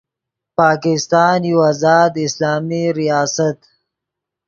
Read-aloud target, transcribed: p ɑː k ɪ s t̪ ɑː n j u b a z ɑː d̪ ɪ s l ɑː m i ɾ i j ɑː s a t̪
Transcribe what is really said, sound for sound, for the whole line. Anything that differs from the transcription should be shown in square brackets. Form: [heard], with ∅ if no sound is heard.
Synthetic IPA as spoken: p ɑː k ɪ s t̪ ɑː n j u [w] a z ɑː d̪ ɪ s l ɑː m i ɾ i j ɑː s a t̪